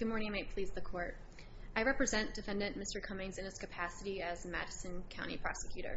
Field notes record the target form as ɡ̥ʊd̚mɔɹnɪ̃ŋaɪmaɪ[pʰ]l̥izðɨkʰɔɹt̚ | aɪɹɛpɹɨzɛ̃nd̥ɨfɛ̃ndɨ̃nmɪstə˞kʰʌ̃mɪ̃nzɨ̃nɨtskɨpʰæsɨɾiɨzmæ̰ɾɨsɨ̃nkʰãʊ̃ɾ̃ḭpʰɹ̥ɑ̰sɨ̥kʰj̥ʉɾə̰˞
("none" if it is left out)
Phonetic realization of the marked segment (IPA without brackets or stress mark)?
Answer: pʰ